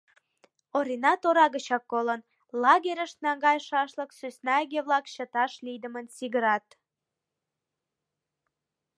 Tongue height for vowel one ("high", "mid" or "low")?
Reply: mid